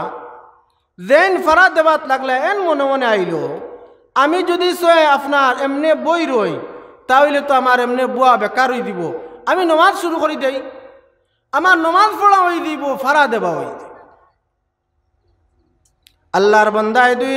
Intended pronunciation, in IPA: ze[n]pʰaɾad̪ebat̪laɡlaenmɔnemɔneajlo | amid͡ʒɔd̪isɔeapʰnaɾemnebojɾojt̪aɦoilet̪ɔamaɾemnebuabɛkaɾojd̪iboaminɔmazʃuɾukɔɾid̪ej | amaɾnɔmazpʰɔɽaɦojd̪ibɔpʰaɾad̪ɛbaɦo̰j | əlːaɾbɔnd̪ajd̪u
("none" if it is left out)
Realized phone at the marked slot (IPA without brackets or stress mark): n